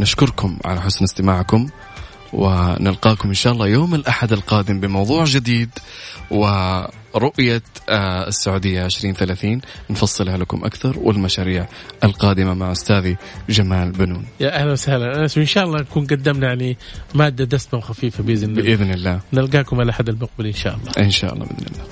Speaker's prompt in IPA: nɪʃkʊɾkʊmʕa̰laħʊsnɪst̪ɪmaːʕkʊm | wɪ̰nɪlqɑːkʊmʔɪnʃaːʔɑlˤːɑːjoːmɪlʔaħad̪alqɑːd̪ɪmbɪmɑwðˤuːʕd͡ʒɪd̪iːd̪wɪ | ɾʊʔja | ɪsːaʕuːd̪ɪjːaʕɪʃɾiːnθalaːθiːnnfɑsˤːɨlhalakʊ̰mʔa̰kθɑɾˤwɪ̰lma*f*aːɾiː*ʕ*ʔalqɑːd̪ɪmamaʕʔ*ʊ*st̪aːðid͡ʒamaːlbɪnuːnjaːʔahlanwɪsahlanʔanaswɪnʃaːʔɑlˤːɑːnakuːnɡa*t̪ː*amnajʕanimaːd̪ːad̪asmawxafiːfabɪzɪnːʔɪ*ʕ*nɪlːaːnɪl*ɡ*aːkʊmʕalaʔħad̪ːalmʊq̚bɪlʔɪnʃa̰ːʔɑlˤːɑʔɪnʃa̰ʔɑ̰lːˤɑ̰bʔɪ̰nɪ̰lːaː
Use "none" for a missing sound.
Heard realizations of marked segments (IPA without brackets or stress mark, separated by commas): ʃ, ʕ, ʊ, d̪ː, ð, ɡ